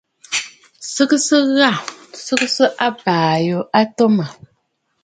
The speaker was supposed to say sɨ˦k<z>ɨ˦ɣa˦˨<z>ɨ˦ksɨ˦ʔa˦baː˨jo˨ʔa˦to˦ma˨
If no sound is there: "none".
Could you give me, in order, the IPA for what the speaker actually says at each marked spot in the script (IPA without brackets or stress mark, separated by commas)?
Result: s, s